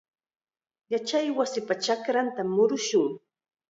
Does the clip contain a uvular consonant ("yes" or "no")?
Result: no